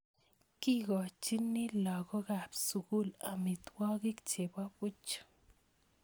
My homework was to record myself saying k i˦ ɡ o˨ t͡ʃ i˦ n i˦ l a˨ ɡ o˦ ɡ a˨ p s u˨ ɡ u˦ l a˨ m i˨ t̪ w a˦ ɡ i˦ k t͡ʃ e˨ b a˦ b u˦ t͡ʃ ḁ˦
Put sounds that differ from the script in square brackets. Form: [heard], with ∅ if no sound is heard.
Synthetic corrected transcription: k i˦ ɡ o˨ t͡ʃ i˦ n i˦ l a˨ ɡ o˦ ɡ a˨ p s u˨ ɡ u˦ l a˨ m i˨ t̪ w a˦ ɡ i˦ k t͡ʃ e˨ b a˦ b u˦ t͡ʃ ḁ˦